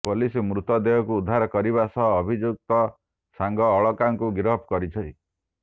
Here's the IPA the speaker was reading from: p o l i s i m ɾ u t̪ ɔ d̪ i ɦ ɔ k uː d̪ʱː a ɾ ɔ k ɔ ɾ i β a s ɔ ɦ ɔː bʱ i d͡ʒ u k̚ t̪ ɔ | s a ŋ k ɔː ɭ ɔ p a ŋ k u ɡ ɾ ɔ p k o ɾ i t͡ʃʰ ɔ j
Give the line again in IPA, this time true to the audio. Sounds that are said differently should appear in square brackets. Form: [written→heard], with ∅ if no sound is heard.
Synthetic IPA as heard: p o l i s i m ɾ u t̪ ɔ d̪ [i→e] ɦ ɔ k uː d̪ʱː a ɾ ɔ k ɔ ɾ i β a s ɔ ɦ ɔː bʱ i d͡ʒ u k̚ t̪ ɔ | s a ŋ [k→ɡ] ɔː ɭ ɔ [p→k] a ŋ k u ɡ ɾ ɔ p k [o→ɔ] ɾ i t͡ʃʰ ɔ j